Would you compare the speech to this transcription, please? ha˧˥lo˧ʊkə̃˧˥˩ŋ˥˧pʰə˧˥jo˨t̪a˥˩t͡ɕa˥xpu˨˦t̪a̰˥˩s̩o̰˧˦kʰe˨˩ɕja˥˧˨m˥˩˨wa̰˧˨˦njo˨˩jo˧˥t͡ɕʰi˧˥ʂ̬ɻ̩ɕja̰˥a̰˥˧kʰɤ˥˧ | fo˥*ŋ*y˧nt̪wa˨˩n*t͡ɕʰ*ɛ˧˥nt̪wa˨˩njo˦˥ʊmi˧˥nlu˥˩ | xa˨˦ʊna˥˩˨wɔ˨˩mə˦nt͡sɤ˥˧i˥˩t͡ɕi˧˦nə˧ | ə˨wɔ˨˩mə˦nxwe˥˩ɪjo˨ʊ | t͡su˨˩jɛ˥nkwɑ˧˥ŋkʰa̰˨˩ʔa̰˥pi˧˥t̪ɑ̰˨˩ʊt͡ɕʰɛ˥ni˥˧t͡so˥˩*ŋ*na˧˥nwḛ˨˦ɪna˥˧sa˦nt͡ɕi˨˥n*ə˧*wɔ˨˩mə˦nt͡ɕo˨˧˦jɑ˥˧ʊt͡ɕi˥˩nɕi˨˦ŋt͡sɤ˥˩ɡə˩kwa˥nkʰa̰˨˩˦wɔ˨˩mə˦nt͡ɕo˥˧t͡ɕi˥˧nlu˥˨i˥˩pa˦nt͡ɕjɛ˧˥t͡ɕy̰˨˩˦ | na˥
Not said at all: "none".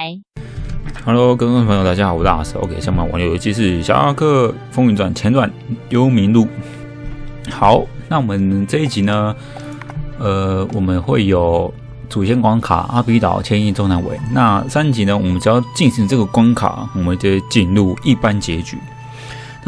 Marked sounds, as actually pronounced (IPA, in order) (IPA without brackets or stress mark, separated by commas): ŋ, t͡ɕʰ, ŋ, ə˧